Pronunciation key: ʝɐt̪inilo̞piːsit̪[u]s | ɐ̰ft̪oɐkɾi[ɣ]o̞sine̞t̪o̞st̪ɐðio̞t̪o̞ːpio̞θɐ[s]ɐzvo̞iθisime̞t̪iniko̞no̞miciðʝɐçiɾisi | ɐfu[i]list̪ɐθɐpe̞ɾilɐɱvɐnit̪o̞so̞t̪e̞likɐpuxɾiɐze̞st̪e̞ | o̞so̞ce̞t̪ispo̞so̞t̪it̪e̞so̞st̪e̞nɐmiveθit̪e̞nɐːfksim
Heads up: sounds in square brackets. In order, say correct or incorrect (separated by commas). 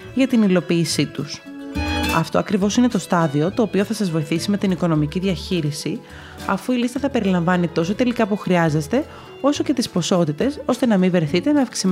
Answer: correct, incorrect, correct, correct